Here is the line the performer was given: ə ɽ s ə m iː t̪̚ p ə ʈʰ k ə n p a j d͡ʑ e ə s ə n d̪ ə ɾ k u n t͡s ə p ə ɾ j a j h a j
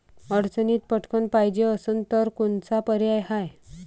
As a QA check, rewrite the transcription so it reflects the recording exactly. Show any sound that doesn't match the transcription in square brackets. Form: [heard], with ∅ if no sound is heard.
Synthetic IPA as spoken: ə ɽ [t͡s] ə [n] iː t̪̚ p ə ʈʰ k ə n p a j d͡ʑ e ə s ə n [t̪] ə ɾ k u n t͡s [a] p ə ɾ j a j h a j